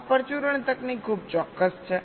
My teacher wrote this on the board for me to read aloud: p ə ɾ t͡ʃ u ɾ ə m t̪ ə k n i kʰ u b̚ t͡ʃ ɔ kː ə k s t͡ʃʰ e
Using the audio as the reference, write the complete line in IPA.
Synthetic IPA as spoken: p ə ɾ t͡ʃ u ɾ ə ɳ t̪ ə k n i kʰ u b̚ t͡ʃ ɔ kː ə s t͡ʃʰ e